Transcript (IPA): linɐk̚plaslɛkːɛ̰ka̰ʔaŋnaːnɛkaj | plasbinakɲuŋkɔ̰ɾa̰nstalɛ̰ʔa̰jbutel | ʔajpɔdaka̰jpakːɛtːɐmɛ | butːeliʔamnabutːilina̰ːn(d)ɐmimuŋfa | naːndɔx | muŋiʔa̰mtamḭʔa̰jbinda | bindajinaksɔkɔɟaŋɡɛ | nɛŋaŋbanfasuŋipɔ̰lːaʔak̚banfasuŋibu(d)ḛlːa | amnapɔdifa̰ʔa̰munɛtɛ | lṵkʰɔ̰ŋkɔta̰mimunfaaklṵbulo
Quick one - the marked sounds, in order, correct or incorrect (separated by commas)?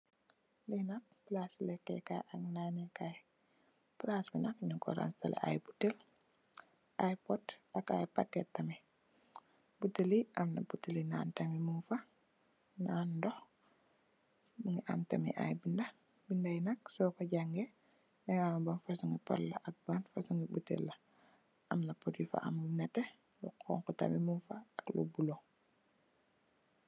incorrect, incorrect